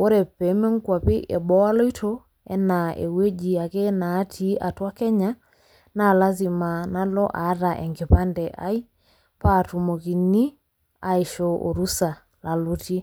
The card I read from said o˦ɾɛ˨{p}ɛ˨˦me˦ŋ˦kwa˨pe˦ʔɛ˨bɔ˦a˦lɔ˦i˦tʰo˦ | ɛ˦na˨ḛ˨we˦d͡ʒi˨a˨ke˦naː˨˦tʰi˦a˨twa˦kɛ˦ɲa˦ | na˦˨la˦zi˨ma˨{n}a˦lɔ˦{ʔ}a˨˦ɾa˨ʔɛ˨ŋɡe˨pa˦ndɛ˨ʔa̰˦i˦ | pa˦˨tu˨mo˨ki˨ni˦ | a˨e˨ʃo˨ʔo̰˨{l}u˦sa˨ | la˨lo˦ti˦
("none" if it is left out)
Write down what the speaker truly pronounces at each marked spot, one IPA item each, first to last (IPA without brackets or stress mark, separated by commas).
p, n, ʔ, ɾ